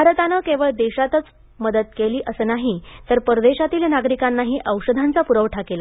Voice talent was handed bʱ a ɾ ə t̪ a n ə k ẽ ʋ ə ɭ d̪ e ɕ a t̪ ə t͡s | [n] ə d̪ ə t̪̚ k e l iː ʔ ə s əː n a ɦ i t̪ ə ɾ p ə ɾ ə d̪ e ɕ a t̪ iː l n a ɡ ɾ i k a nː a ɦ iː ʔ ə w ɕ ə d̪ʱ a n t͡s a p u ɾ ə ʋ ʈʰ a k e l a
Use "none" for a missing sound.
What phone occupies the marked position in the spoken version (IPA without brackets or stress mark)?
m